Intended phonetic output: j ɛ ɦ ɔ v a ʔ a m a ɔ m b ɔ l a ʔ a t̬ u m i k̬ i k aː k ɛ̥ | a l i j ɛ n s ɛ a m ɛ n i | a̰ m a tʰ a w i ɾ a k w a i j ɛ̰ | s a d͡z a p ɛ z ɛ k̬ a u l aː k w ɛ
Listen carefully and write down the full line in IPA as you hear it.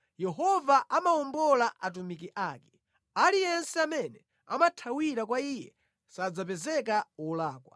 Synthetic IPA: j ɛ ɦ ɔ v a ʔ a m a ɔ m b ɔ l a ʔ a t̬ u m i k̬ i ʔ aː k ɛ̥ | a l i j ɛ n s ɛ a m ɛ n ɛ | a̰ m a tʰ a w i ɾ a k w a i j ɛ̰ | s a d͡z a p ɛ z ɛ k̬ a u l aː k w a